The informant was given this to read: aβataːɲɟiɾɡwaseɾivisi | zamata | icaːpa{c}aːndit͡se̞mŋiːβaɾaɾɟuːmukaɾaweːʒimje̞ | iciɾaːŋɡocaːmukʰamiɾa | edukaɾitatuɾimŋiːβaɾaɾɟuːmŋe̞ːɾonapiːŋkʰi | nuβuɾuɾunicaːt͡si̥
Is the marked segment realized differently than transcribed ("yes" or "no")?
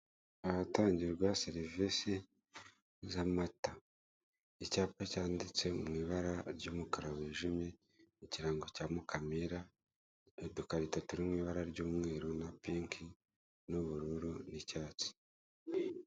no